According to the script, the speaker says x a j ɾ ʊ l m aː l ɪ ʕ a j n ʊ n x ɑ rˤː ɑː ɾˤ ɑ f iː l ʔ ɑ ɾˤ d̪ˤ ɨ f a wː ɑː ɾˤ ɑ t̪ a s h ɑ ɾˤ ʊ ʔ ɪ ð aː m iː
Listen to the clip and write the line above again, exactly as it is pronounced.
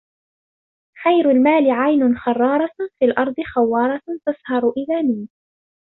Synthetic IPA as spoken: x a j ɾ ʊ l m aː l ɪ ʕ a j n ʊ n x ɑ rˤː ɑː ɾˤ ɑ f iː l ʔ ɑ ɾˤ d̪ˤ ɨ x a wː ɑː ɾˤ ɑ t̪ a s h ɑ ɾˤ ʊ ʔ ɪ ð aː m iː